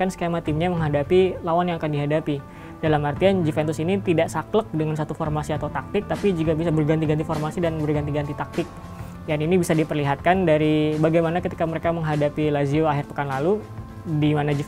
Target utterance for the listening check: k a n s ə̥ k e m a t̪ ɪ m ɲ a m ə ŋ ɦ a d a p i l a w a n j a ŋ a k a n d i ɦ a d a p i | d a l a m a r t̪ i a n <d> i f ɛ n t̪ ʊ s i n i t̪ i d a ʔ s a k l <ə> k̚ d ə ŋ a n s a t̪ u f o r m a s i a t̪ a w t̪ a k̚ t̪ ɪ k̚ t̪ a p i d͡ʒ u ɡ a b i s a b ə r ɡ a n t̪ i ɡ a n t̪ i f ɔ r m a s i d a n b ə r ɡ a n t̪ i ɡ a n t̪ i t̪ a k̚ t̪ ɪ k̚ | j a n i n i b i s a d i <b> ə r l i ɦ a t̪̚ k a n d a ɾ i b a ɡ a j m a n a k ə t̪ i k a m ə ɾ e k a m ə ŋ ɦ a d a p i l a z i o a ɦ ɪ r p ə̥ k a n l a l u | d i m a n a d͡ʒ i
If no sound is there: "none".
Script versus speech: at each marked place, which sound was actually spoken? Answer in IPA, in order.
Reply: d͡ʒ, ə, p

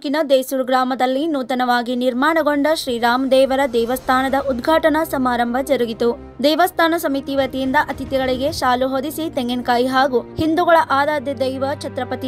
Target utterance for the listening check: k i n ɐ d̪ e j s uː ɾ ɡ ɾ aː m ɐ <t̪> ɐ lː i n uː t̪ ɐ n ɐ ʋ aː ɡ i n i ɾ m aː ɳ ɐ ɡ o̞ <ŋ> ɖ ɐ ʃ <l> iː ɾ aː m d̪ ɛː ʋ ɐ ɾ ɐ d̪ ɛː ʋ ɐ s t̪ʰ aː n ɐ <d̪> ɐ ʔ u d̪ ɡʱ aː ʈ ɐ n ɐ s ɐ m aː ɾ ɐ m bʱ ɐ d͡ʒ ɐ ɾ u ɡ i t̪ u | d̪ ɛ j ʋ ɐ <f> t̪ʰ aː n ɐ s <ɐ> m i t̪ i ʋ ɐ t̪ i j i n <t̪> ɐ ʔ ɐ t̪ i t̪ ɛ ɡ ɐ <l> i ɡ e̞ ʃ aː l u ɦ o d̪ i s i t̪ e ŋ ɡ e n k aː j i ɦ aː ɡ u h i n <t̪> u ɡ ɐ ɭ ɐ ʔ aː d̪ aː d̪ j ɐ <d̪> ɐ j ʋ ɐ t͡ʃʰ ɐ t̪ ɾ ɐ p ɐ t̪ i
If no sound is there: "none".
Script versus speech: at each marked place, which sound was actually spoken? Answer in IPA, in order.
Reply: d̪, ɳ, ɾ, d̪, s, ɐ, d̪, ɭ, d̪, d̪

